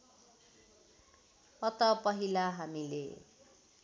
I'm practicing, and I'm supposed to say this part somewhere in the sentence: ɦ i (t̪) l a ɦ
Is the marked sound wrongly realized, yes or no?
yes